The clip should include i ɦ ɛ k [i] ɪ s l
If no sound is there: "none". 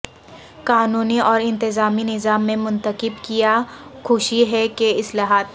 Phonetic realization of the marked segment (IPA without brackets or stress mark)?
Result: e